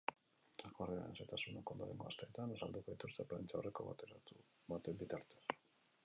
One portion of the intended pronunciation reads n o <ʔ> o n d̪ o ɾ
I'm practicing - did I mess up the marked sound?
yes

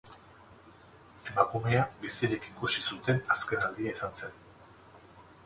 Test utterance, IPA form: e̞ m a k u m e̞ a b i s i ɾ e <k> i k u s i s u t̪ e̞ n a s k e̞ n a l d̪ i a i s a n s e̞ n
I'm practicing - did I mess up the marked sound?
no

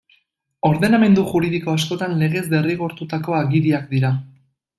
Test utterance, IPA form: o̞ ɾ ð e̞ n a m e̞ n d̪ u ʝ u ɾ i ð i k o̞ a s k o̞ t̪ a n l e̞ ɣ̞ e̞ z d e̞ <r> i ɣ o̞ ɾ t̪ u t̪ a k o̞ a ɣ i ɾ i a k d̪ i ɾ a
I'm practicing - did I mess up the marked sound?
no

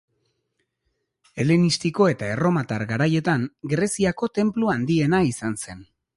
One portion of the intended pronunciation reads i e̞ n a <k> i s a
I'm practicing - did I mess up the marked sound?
yes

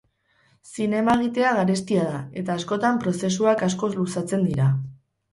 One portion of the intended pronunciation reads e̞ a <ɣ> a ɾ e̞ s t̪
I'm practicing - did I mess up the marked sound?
no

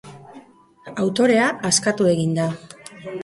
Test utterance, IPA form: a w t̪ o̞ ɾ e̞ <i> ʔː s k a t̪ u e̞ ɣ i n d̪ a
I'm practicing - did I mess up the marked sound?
yes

